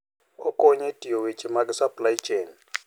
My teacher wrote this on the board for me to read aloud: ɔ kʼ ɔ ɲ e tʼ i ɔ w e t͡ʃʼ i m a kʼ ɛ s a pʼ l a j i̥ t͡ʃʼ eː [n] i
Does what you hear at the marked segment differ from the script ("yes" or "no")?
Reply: no